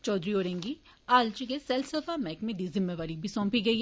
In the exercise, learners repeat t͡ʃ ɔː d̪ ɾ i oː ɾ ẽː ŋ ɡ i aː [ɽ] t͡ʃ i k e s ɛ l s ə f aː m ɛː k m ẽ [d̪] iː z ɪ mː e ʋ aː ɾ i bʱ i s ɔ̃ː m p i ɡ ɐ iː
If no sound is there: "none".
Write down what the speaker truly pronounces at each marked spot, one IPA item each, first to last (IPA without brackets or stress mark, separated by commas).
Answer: l, d̪